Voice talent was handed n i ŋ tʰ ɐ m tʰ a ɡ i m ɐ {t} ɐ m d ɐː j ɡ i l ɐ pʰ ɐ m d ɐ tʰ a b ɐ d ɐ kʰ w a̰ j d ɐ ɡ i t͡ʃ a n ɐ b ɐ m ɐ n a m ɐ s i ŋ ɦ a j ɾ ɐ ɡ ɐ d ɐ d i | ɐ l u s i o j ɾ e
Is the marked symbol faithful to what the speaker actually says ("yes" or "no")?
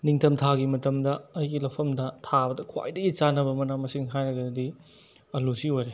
yes